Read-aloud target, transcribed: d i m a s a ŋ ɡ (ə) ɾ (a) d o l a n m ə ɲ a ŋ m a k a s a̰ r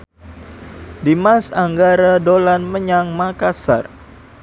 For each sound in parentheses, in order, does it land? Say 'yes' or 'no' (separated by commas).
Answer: no, yes